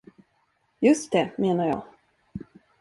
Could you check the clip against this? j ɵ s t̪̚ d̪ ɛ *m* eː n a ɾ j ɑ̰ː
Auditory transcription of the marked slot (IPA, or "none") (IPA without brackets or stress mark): m